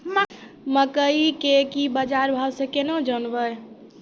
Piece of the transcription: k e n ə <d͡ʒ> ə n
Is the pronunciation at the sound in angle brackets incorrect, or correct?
correct